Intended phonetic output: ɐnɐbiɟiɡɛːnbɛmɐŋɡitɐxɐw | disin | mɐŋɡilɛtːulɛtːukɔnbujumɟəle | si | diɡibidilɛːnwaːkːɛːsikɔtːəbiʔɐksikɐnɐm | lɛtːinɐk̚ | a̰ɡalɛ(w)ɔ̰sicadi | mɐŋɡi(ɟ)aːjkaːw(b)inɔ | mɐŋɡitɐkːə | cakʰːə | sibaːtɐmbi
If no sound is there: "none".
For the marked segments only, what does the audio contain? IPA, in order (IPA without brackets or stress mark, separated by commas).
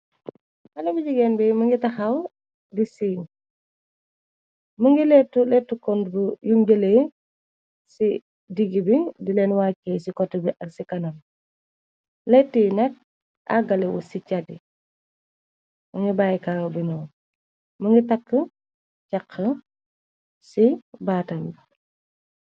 w, b, b